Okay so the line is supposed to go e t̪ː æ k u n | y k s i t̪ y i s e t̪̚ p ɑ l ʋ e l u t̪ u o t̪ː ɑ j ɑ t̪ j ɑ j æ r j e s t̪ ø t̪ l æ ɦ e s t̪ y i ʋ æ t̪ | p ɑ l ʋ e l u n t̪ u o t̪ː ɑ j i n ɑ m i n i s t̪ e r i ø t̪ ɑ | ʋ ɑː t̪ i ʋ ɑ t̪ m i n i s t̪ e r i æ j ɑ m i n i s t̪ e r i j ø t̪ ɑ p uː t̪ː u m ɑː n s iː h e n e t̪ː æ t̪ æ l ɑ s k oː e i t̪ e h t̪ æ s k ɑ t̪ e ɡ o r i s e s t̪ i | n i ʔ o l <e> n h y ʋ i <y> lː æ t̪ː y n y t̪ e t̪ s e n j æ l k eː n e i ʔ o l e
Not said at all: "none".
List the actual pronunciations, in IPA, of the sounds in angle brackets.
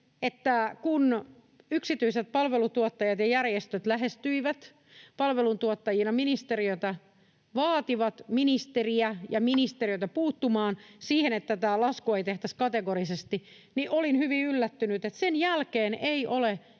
i, y

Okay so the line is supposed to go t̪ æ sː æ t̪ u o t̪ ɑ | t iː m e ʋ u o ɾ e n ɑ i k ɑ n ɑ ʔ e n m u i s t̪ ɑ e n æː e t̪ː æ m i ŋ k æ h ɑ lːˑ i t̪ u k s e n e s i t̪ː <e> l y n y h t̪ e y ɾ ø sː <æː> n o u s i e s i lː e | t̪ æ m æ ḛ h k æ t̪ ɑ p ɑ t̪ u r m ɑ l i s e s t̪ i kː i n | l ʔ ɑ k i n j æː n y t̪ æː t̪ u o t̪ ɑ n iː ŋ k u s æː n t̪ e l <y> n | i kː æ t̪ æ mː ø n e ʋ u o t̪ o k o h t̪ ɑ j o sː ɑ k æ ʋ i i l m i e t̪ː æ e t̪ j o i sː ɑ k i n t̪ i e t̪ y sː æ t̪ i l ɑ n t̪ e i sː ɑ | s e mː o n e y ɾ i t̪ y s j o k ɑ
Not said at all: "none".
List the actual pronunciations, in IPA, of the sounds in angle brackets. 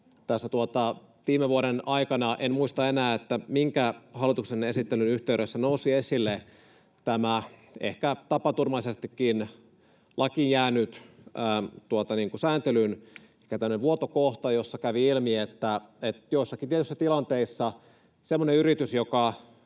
e, æ, y

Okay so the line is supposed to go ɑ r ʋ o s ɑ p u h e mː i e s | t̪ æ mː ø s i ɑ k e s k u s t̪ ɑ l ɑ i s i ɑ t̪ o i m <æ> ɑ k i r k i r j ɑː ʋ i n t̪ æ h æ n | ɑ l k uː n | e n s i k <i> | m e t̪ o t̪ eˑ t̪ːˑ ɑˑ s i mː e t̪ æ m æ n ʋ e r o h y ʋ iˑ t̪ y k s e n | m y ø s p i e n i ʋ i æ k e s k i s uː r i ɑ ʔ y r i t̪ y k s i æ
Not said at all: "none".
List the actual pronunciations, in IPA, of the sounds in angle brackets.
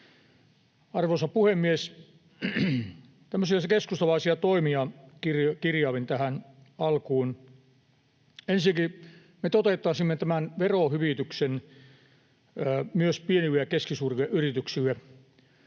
i, i

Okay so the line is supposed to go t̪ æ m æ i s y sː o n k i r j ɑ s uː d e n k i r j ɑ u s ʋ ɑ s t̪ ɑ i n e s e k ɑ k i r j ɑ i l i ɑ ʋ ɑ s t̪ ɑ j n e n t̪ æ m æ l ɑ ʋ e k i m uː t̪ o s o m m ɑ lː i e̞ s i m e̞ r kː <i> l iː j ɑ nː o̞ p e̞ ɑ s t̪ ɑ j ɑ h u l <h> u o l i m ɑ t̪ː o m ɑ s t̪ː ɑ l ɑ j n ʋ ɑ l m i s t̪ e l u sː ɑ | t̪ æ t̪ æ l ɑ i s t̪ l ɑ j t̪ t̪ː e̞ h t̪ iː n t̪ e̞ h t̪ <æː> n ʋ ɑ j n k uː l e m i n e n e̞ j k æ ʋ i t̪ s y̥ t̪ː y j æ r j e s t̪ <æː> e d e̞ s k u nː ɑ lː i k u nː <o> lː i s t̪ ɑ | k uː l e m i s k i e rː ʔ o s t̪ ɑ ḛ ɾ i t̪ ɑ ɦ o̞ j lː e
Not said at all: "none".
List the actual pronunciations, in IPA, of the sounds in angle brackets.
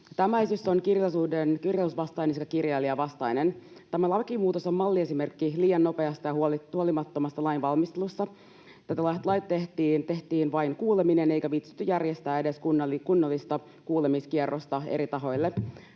i, h, iː, æː, o

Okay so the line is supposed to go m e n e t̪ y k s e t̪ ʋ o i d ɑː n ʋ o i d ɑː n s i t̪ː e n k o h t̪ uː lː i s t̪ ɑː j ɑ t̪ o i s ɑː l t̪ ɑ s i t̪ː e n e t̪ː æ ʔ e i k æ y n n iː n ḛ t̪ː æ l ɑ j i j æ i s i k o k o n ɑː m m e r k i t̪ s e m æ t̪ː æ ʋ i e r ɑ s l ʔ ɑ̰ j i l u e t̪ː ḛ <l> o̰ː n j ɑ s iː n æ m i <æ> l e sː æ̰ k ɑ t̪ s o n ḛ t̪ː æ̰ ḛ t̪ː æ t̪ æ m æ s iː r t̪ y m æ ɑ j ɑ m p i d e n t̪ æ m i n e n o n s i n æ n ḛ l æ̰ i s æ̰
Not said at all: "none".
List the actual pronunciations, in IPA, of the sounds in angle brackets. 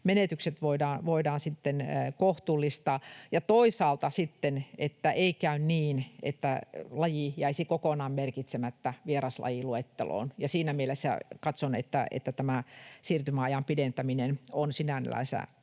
l, e

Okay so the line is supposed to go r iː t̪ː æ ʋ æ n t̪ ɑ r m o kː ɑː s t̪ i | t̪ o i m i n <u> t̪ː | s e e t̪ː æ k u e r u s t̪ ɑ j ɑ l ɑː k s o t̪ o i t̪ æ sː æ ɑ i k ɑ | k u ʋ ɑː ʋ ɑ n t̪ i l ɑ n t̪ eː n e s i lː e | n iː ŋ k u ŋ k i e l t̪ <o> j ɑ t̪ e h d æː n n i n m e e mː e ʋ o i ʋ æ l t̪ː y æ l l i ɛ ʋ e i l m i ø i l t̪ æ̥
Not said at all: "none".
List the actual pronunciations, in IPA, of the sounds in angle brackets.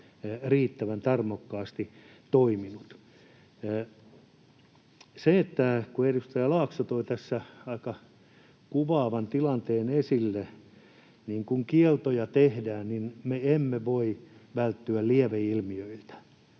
u, o

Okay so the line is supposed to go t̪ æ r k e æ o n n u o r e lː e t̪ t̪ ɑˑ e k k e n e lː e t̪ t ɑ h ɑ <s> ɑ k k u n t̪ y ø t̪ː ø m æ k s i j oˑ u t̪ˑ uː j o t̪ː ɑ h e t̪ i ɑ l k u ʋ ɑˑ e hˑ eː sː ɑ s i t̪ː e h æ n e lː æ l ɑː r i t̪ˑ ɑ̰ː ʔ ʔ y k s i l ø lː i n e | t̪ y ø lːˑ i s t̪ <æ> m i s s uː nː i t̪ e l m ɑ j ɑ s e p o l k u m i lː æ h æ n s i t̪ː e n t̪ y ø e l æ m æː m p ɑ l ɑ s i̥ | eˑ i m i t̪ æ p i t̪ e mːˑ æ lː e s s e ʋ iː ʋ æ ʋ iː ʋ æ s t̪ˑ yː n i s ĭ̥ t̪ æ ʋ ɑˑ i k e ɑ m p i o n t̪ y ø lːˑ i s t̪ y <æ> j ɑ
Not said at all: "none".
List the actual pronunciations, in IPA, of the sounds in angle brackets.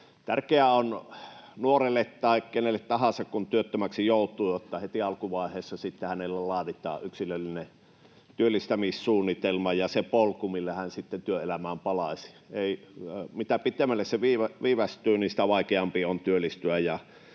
s, æ, æ

